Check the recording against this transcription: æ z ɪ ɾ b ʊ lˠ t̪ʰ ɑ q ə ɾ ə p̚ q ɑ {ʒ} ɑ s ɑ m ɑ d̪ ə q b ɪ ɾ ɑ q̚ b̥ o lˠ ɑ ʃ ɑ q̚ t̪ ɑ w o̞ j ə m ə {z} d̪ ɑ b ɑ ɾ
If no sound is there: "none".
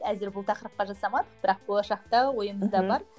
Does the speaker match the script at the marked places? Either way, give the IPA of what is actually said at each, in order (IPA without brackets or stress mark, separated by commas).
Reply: ʒ, z